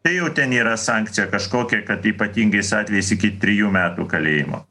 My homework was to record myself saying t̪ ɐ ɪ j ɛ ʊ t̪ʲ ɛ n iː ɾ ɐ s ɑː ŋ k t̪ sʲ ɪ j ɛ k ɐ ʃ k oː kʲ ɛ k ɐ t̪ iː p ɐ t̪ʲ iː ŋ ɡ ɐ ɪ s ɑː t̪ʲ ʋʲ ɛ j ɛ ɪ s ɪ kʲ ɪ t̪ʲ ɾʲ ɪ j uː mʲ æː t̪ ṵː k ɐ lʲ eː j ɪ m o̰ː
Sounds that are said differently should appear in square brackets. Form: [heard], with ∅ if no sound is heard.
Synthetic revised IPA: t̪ ɐ ɪ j ɛ ʊ t̪ʲ ɛ n iː ɾ ɐ s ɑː ŋ k t̪ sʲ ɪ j ɛ k ɐ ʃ k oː kʲ ɛ k ɐ t̪ iː p ɐ t̪ʲ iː ŋ ɡ ɐ ɪ s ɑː t̪ʲ ʋʲ ɛ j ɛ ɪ s ɪ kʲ ɪ t̪ʲ ɾʲ ɪ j uː mʲ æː t̪ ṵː k ɐ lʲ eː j ɪ m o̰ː